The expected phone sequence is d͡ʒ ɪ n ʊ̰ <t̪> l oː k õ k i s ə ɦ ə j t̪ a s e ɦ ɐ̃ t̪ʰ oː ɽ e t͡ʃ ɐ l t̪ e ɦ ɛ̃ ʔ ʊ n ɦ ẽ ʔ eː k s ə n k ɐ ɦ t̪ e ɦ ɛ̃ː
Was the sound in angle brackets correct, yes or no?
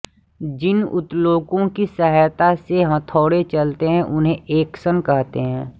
yes